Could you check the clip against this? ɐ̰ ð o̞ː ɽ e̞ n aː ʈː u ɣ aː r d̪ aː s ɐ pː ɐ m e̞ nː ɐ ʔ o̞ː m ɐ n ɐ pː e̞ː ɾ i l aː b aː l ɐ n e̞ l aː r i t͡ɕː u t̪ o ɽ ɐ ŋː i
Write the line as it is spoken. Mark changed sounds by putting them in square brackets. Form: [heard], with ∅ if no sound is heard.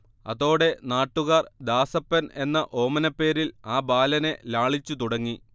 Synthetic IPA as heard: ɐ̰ ð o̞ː ɽ e̞ n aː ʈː u ɣ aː r d̪ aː s ɐ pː ɐ [n] e̞ nː ɐ ʔ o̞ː m ɐ n ɐ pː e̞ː ɾ i l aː b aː l ɐ n e̞ l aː [ɭ] i t͡ɕː u t̪ [u] ɽ ɐ ŋː i